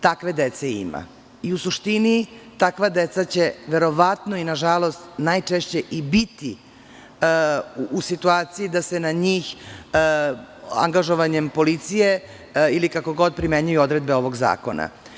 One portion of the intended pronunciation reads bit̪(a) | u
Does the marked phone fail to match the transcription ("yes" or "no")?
yes